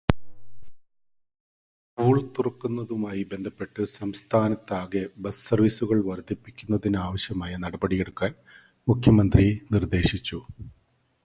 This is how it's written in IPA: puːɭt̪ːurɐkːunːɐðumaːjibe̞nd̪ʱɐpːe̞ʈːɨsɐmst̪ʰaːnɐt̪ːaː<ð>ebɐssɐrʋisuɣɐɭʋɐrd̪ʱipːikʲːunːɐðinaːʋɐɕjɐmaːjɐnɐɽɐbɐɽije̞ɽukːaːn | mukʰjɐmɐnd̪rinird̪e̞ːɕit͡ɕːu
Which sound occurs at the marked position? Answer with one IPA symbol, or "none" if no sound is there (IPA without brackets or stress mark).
ɣ